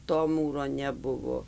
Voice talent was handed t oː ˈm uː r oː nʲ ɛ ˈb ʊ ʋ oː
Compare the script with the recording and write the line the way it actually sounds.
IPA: t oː ˈm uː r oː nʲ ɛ ˈb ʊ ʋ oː